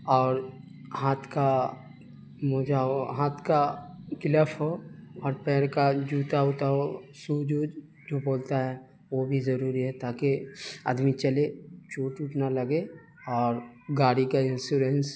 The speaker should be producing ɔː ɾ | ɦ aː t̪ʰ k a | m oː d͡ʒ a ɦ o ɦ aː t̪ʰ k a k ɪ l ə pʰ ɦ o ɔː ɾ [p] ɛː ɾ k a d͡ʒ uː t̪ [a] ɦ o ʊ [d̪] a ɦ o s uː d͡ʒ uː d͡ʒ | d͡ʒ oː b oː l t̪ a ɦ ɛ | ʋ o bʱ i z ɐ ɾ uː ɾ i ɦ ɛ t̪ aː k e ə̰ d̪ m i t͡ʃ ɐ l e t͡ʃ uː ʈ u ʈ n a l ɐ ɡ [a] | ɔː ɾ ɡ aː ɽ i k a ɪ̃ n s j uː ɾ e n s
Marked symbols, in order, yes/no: yes, yes, no, no

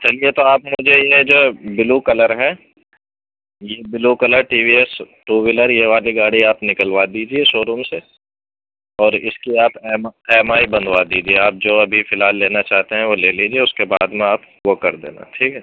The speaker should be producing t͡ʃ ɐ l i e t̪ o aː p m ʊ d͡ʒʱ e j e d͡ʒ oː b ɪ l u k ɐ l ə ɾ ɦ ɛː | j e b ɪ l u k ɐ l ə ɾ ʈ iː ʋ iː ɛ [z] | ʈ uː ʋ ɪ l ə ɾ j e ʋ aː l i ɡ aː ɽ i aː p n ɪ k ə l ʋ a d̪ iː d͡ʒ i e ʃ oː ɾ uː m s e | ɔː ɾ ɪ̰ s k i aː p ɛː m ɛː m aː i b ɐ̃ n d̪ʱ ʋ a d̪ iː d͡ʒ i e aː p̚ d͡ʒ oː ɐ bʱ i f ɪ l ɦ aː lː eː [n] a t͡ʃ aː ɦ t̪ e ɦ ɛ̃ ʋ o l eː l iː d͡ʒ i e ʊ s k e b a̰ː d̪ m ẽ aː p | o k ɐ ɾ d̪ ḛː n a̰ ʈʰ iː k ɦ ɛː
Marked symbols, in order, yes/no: no, yes

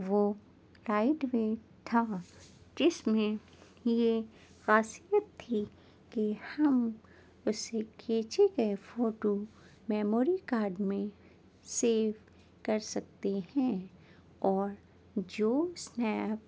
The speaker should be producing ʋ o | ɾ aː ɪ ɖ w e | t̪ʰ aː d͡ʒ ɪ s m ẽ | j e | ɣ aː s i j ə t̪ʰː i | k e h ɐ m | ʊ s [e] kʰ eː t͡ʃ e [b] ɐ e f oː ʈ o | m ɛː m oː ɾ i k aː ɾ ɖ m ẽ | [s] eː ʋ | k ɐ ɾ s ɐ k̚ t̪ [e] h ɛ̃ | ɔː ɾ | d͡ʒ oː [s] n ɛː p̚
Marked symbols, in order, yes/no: yes, no, yes, yes, yes

